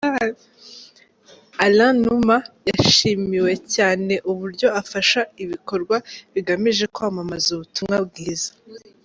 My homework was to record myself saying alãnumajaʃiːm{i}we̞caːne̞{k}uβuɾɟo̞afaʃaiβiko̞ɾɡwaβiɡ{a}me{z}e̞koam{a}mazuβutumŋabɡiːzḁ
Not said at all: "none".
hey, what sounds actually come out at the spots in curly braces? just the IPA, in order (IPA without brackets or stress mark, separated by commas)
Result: i, ʔ, a, ʒ, a